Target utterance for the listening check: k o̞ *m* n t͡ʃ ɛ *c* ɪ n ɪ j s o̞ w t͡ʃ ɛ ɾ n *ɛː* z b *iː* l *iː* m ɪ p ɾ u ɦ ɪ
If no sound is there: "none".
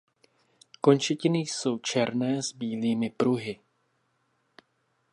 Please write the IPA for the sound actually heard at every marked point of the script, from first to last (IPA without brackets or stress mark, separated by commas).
none, c, ɛː, iː, iː